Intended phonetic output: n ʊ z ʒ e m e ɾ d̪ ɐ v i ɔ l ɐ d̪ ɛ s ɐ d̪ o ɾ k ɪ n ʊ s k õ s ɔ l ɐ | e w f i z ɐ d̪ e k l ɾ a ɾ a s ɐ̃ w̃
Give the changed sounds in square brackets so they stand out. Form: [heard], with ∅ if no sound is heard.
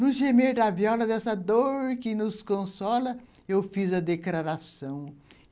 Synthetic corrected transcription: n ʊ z ʒ e m e ɾ d̪ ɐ v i ɔ l ɐ d̪ ɛ s ɐ d̪ o ɾ k ɪ n ʊ s k õ s ɔ l ɐ | e w f i z ɐ d̪ e k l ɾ a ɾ a s ɐ̃ w̃